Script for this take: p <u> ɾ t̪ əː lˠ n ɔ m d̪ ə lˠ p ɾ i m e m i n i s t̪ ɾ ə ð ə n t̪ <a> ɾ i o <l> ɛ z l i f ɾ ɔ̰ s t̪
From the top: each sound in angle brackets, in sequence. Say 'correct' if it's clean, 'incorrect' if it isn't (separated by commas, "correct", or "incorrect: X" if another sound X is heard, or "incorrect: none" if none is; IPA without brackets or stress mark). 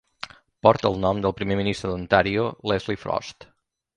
incorrect: ɔ, correct, correct